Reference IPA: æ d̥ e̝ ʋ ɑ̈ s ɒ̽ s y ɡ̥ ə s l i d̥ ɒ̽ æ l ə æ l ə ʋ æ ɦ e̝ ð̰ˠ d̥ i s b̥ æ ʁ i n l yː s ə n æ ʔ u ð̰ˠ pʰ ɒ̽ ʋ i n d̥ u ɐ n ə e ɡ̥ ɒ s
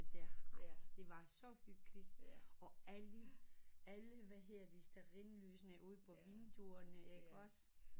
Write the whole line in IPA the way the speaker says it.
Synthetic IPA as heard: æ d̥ e̝ ʋ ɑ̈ s ɒ̽ h y ɡ̥ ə l i d̥ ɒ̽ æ l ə æ l ə ʋ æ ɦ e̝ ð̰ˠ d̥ i s d̥ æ ʁ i n l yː s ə n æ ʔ u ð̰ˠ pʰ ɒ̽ ʋ i n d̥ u ɐ n ə e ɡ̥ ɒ s